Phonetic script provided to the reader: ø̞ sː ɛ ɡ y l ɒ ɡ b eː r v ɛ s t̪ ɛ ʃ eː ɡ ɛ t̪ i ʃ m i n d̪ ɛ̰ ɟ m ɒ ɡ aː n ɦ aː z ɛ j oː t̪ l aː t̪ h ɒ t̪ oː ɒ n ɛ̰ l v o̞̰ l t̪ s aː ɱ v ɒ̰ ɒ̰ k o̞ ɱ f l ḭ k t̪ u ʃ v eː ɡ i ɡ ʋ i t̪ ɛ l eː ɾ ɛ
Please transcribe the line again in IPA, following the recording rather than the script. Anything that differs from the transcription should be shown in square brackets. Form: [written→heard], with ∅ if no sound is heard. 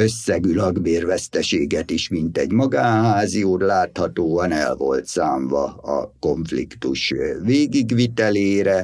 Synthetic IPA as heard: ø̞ sː ɛ ɡ y l ɒ ɡ b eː r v ɛ s t̪ ɛ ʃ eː ɡ ɛ t̪ i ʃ m i n [d̪→t̪] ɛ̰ ɟ m ɒ ɡ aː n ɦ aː z [ɛ→i] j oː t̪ l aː t̪ h ɒ t̪ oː ɒ n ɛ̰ l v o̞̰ l t̪ s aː ɱ v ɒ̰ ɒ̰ k o̞ ɱ f l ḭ k t̪ u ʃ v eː ɡ i ɡ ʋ i t̪ ɛ l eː ɾ ɛ